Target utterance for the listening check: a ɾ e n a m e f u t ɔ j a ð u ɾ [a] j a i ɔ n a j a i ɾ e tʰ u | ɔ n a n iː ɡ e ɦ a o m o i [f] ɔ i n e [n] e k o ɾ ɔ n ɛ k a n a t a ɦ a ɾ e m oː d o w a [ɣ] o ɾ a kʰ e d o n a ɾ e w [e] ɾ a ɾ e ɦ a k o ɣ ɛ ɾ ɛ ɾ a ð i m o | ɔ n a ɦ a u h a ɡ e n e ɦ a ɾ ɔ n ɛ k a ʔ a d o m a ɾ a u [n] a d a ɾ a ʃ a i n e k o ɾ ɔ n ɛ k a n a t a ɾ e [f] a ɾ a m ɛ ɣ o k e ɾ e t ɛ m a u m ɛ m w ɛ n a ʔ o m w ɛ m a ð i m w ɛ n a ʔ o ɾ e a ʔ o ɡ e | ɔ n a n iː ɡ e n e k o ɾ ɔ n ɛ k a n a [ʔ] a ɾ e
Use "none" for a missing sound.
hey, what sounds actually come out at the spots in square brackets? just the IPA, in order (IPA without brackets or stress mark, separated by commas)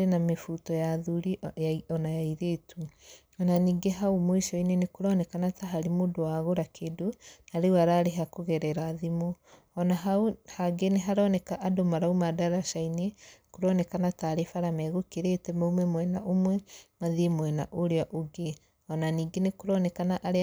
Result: i, ʃ, n, ɣ, a, m, f, ʔ